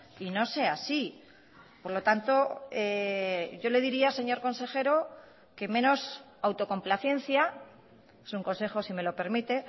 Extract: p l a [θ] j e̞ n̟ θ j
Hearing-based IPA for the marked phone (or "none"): θ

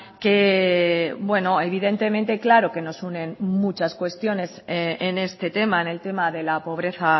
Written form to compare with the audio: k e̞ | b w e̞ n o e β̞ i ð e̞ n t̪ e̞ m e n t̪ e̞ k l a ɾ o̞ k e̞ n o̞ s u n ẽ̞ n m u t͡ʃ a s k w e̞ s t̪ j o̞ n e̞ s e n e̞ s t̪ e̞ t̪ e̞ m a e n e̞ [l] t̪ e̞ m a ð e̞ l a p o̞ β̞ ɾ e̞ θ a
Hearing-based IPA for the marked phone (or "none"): l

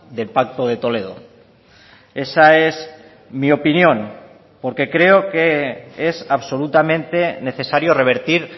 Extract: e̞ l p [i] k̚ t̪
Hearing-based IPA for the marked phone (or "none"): a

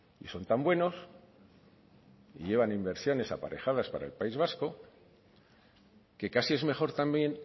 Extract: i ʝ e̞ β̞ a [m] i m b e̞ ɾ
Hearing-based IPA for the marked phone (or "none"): n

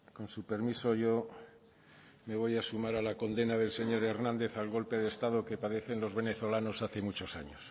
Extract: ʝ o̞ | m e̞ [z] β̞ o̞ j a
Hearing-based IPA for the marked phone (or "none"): none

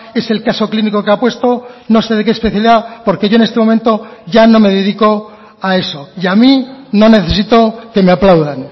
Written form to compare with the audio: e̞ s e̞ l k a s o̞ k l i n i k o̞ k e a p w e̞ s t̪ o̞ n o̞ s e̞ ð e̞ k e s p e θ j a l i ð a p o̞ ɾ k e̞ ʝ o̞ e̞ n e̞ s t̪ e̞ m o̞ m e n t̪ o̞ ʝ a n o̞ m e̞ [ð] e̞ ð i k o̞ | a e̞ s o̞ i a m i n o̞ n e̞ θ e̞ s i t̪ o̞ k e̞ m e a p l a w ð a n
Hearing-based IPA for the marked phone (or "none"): ð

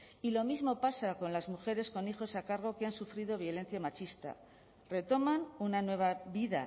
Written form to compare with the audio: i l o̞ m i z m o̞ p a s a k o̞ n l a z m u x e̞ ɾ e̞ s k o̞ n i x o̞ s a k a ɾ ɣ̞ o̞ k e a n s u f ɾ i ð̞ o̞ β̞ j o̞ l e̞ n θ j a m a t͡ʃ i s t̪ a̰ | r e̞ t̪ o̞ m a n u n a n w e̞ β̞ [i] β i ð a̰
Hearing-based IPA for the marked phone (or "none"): a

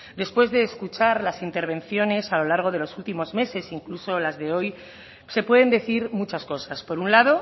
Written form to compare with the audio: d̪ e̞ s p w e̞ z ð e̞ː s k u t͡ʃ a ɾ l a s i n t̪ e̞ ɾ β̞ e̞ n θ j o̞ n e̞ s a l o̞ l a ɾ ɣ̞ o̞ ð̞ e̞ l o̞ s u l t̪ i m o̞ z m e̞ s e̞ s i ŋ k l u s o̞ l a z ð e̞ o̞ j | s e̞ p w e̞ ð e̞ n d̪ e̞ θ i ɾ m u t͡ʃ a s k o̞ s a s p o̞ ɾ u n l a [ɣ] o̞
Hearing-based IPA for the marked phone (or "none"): ð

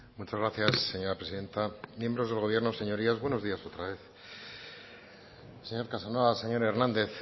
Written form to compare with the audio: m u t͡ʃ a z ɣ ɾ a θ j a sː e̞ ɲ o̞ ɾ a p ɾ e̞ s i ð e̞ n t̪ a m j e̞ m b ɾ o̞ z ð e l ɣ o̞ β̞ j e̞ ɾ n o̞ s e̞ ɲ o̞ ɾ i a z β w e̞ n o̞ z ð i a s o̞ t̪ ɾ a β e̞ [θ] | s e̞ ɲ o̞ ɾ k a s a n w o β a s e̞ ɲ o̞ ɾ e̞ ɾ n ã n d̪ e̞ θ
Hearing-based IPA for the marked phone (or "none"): θ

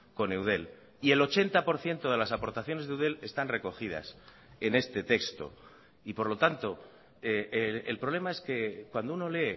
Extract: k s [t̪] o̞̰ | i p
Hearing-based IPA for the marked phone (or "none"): t̪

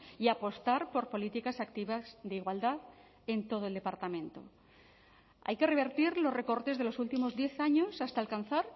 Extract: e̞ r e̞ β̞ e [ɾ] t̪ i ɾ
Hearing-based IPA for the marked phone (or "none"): ɾ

